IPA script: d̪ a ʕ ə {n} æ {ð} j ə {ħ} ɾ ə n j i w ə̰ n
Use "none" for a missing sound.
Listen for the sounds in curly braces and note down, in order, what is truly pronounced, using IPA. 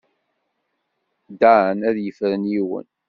n, ð, f

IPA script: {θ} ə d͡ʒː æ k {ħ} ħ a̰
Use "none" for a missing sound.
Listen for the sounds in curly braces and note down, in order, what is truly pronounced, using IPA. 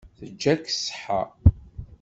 θ, s

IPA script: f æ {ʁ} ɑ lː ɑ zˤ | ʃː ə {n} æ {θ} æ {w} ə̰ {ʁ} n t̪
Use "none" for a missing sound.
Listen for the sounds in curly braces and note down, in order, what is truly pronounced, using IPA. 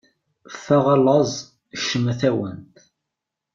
ʁ, m, θ, w, none

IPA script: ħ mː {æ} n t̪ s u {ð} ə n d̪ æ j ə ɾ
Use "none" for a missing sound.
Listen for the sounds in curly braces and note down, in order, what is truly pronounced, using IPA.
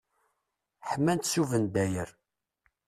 æ, v

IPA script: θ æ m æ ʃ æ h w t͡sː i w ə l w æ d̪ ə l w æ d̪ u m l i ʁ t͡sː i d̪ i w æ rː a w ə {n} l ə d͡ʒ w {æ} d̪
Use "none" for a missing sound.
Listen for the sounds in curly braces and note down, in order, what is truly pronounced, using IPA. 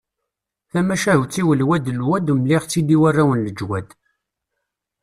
n, æ

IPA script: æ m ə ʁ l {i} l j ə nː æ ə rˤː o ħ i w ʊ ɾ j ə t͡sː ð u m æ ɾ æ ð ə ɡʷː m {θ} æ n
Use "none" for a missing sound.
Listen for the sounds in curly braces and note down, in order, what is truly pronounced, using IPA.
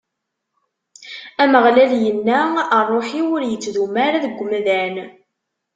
æ, ð

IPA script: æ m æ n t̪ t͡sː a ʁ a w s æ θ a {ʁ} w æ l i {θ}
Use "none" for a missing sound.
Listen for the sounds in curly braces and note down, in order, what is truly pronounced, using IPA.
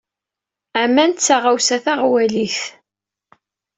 ʁ, θ

